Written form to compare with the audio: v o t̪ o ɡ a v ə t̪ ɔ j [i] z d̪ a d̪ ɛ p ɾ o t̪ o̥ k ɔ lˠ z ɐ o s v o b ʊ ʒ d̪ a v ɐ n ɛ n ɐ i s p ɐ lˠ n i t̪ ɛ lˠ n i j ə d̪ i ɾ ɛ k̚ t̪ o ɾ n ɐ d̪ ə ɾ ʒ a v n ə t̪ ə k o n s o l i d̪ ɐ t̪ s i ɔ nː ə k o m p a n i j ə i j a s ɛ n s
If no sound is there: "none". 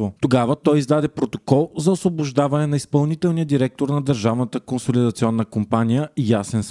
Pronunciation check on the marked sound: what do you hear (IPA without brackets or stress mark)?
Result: i